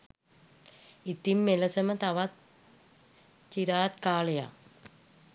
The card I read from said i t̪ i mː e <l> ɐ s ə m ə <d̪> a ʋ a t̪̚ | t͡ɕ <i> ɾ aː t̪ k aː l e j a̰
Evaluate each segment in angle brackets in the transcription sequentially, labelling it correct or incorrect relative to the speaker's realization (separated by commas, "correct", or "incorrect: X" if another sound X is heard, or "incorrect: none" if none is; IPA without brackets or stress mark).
correct, incorrect: t̪, correct